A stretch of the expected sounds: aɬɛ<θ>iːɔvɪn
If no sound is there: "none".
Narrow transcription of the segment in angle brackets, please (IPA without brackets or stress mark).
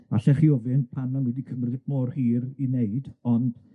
χ